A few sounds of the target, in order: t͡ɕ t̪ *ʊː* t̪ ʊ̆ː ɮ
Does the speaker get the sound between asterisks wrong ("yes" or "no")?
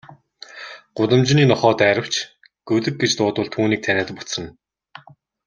no